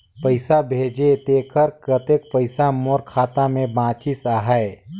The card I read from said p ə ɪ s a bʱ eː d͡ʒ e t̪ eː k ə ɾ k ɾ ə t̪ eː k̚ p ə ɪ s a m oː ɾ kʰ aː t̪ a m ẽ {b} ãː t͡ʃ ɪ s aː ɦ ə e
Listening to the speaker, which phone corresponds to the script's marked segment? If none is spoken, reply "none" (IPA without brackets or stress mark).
b